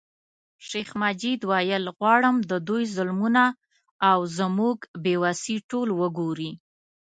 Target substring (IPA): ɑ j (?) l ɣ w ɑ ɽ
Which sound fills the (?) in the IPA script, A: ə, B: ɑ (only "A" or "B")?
A